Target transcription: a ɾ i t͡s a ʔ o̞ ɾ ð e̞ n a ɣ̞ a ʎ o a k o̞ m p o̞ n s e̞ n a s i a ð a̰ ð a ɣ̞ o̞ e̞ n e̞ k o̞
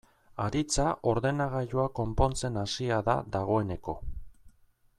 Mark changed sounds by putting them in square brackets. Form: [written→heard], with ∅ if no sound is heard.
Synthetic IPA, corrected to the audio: a ɾ i t͡s a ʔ o̞ ɾ ð e̞ n a ɣ̞ a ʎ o a k o̞ m p o̞ n [s→t͡s] e̞ n a s i a ð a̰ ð a ɣ̞ o̞ e̞ n e̞ k o̞